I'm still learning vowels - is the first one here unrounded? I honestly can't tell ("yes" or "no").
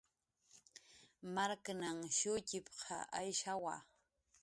yes